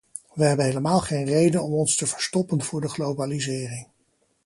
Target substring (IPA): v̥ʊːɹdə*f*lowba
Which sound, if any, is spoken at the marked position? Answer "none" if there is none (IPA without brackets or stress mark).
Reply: χ